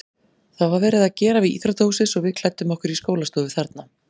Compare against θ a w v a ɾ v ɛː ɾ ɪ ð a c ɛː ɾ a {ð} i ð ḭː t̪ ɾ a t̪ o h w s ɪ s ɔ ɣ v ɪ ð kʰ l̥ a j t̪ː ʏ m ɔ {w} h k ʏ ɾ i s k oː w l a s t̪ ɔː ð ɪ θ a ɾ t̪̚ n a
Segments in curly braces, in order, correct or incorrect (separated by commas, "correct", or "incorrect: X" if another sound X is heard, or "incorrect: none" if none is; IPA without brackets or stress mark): incorrect: v, incorrect: none